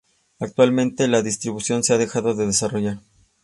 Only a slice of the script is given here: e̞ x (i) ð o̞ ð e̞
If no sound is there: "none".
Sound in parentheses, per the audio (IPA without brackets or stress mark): a